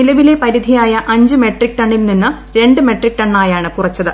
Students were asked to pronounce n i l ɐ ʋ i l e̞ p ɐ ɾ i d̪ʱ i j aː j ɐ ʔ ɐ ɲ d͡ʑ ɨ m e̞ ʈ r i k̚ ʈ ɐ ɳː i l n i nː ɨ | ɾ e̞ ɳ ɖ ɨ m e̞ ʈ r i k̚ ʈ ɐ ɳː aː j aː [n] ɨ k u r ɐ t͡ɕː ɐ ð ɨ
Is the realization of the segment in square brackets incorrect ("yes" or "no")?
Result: yes